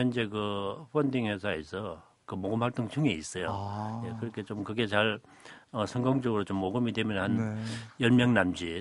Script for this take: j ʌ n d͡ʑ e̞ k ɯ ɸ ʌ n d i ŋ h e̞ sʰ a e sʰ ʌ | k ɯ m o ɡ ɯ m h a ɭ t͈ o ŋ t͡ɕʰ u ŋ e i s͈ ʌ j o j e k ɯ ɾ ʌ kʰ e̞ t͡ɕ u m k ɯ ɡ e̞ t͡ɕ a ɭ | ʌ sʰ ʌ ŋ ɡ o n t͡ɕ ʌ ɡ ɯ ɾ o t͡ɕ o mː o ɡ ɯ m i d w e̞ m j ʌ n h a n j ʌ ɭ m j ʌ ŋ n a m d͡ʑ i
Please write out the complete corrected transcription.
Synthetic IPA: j ʌ n d͡ʑ e̞ k ɯ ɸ ʌ n d i ŋ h e̞ sʰ a e sʰ ʌ | k ɯ m o ɡ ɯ m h a ɭ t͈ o ŋ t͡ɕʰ u ŋ e i s͈ ʌ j o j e k ɯ ɾ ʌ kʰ e̞ t͡ɕ o m k ɯ ɡ e̞ t͡ɕ a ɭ | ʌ sʰ ʌ ŋ ɡ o ŋ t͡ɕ ʌ ɡ ɯ ɾ o t͡ɕ o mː o ɡ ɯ m i d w e̞ m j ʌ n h a n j ʌ ɭ m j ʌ ŋ n a m d͡ʑ i